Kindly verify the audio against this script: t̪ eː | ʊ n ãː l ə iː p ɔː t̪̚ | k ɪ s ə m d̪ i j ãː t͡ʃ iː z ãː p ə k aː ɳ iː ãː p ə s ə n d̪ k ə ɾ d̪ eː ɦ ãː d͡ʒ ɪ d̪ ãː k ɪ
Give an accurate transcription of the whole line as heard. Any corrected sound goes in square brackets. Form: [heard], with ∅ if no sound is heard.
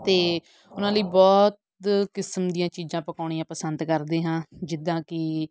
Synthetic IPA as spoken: t̪ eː | ʊ n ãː l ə iː [b] ɔː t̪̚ | k ɪ s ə m d̪ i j ãː t͡ʃ iː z ãː p ə k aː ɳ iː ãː p ə s ə n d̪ k ə ɾ d̪ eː ɦ ãː d͡ʒ ɪ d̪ ãː k ɪ